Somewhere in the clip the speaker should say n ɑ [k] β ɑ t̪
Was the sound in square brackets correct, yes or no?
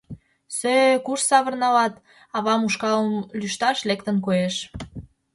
no